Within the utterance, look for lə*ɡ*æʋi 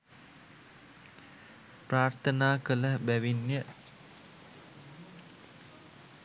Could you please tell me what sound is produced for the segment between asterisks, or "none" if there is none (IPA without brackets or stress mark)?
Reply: b